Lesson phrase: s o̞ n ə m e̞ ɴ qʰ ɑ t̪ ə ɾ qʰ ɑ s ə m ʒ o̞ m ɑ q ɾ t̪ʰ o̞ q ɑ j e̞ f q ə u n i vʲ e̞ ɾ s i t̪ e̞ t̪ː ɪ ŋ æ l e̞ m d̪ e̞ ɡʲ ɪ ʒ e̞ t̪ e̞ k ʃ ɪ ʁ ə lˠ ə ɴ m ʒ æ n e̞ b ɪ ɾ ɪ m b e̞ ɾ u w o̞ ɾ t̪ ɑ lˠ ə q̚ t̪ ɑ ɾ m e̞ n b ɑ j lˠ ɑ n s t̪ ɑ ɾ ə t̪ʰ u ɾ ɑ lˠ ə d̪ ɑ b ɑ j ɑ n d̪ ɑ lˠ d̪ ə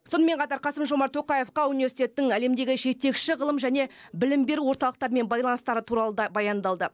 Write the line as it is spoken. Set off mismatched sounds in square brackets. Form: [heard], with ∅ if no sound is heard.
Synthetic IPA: s o̞ n ə m e̞ ɴ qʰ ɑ t̪ [ɑ] ɾ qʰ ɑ s ə m ʒ o̞ m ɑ [∅] ɾ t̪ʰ o̞ q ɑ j e̞ f q [ɑ] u n i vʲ e̞ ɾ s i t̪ e̞ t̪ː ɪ ŋ æ l e̞ m d̪ e̞ ɡʲ ɪ ʒ e̞ t̪ e̞ k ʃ ɪ ʁ ə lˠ ə [∅] m ʒ æ n e̞ b ɪ [l] ɪ m b e̞ ɾ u w o̞ ɾ t̪ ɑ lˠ ə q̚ t̪ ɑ ɾ m e̞ n b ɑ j lˠ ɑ n s t̪ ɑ ɾ ə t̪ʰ u ɾ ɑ lˠ ə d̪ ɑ b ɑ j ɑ n d̪ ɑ lˠ d̪ ə